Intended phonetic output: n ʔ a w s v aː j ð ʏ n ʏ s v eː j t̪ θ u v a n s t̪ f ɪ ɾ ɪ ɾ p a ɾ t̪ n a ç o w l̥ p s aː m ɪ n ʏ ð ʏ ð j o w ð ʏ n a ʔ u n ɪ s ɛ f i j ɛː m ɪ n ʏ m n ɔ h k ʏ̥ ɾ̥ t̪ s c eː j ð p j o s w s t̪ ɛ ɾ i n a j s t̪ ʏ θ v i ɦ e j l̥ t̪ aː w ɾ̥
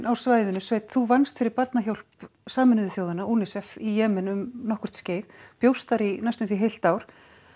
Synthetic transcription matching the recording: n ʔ a w s v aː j ð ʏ n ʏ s v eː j t̪ θ u v a n s t̪ f ɪ ɾ ɪ ɾ p a ɾ t̪ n a ç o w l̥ p s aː m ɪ n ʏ ð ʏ θ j o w ð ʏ n a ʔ u n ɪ s ɛ f i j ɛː m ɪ n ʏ m n ɔ h k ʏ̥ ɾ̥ t̪ s c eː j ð p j o w s t̪ a ɾ i n a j s t̪ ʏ θ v i ɦ e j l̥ t̪ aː w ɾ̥